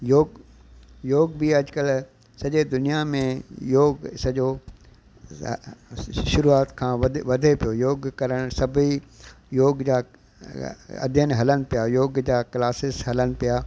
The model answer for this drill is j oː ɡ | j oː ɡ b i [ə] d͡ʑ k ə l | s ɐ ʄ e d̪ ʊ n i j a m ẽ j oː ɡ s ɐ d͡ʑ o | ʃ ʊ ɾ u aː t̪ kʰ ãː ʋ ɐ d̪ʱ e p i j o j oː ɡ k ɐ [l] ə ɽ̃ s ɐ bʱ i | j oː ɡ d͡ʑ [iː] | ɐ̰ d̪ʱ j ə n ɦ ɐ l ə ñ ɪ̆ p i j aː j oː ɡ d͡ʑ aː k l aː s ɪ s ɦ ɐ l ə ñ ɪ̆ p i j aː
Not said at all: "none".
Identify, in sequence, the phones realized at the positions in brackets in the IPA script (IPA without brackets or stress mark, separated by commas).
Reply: ɐ, ɾ, aː